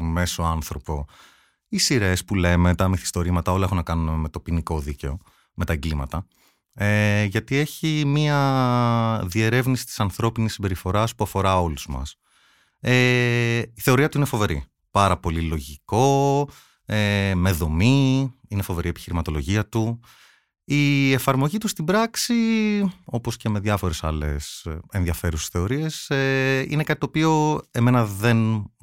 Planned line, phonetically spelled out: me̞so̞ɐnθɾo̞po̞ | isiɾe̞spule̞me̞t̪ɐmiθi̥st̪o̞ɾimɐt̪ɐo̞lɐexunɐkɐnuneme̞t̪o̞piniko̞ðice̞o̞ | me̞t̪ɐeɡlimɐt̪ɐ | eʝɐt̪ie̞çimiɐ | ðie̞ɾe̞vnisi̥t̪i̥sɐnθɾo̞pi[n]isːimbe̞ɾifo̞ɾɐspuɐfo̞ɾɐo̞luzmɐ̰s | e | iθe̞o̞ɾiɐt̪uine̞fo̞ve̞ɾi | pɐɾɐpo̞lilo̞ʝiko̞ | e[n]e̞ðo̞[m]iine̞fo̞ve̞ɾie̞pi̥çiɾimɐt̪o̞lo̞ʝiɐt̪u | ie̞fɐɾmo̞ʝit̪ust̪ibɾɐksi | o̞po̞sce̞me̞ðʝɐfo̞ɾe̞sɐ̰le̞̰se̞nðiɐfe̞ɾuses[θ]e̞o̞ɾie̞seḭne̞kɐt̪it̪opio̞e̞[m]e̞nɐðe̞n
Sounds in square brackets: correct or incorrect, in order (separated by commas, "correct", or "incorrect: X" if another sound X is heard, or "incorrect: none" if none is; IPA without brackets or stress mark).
correct, incorrect: m, correct, correct, correct